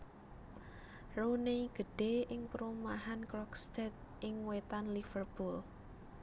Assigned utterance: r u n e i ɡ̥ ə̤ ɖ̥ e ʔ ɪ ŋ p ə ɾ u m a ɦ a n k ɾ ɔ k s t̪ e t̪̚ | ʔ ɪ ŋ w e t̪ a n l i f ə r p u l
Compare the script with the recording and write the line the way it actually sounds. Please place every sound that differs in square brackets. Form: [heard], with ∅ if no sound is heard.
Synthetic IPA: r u n e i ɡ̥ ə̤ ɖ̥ e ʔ ɪ ŋ p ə ɾ u m a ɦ a n k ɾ ɔ k s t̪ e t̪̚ | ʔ ɪ ŋ w e t̪ a n l i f ə r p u l